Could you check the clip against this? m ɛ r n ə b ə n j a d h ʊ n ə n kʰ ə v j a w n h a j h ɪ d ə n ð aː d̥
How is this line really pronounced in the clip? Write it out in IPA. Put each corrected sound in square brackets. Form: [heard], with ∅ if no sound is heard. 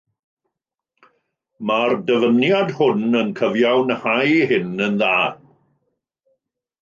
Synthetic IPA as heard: m [a] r [d] ə [v] ə n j a d h ʊ n ə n kʰ ə v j a w n h a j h ɪ [n] ə n ð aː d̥

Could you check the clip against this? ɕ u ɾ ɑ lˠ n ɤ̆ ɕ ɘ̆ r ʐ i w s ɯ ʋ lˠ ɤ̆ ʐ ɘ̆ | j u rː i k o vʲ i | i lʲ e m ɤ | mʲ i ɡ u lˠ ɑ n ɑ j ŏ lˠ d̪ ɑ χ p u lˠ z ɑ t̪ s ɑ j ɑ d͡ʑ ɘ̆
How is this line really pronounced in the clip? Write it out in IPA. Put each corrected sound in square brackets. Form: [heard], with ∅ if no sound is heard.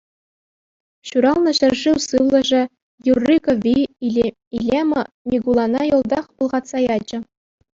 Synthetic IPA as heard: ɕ u ɾ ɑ lˠ n ɤ̆ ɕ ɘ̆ r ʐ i w s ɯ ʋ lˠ ɤ̆ ʐ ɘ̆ | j u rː i k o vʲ i | i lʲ e m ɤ | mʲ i ɡ u lˠ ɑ n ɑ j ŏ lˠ d̪ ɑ χ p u lˠ [ʁ] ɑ t̪ s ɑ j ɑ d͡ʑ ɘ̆

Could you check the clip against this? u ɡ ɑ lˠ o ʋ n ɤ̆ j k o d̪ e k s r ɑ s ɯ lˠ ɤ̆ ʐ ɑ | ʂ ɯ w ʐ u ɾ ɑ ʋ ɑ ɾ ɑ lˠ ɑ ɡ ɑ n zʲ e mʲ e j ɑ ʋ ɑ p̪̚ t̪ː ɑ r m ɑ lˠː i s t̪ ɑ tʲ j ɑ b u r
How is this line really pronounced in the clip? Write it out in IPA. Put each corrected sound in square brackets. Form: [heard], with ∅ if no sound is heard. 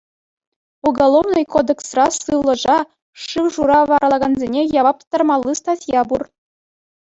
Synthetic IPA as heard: u ɡ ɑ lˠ o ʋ n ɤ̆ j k o d̪ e k s r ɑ s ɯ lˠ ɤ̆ ʐ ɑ | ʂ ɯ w ʐ u ɾ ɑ ʋ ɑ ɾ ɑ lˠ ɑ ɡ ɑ n zʲ e [nʲ] e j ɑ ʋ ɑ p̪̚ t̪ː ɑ r m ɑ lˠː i s t̪ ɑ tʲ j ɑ b u r

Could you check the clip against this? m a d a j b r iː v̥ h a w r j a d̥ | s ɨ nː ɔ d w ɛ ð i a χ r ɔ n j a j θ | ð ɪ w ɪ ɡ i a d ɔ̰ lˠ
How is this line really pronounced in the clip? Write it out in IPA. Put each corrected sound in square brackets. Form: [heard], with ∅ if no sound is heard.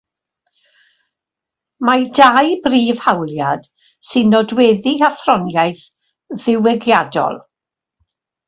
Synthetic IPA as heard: m a d a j b r iː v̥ h a w [l] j a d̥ | s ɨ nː ɔ d w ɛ ð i a [θ] r ɔ n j a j θ | ð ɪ w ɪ ɡ [j] a d ɔ̰ lˠ

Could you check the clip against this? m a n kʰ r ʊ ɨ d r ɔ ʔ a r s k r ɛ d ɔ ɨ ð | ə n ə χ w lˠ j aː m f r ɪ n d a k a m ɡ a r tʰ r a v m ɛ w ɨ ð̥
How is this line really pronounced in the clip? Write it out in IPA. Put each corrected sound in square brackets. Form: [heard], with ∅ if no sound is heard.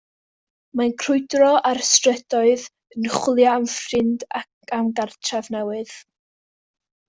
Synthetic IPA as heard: m a n kʰ r ʊ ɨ d r ɔ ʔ a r s [t] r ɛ d ɔ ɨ ð | ə n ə χ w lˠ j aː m f r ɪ n d a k a m ɡ a r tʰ r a v [n] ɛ w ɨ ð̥

